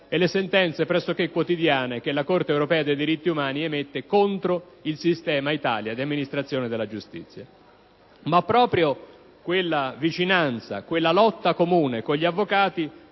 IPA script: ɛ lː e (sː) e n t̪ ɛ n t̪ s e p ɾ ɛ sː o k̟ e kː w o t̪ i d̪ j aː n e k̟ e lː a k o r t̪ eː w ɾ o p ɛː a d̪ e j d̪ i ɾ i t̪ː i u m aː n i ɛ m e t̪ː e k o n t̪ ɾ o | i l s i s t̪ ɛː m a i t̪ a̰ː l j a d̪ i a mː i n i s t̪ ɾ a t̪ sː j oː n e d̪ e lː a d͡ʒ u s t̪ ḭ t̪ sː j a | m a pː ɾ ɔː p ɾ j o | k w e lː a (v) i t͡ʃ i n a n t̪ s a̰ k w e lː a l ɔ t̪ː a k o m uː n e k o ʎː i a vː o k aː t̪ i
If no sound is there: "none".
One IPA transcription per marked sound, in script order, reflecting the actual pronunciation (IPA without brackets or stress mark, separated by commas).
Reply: s, v